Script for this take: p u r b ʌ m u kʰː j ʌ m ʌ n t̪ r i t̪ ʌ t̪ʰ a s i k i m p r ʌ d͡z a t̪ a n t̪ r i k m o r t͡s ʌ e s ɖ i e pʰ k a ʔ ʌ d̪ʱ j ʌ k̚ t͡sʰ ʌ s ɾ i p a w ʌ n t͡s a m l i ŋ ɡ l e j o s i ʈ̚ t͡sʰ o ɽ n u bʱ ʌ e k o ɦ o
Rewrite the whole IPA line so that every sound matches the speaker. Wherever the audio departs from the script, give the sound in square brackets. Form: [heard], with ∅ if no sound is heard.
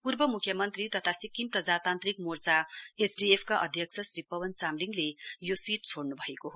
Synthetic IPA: p u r b ʌ m u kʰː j ʌ m ʌ n t̪ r i t̪ ʌ t̪ʰ a s i k i m p r ʌ d͡z a t̪ a n t̪ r i k m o r t͡s [a] e s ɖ i e pʰ k a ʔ ʌ d̪ʱ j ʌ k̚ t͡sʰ ʌ s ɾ i p [ʌ] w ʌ n t͡s a m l i ŋ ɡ l e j o s i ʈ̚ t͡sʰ o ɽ n u bʱ ʌ e k o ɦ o